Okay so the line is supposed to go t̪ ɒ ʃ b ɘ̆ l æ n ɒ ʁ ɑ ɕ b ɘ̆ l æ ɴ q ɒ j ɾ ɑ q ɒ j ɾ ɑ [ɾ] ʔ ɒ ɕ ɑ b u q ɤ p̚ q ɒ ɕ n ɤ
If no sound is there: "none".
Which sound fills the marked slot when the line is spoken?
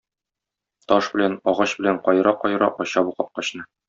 none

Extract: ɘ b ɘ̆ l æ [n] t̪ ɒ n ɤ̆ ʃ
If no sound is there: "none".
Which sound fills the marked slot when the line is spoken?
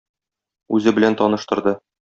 n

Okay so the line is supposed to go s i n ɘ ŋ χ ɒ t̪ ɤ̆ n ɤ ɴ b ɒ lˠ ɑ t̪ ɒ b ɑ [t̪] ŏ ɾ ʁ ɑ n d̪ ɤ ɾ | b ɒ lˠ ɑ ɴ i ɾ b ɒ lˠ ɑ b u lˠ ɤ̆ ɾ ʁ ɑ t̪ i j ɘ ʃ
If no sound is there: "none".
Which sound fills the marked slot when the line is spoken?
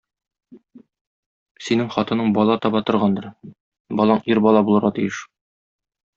t̪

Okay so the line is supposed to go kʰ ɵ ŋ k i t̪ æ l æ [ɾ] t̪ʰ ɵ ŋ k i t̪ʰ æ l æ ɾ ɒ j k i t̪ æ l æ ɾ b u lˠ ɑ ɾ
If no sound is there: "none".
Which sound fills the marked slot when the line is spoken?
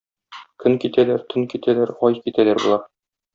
ɾ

